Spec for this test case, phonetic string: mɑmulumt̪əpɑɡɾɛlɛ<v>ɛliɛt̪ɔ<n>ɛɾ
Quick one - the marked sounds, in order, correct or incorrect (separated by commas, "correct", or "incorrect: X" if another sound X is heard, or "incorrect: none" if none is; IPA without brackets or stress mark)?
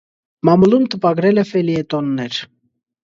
incorrect: f, incorrect: nː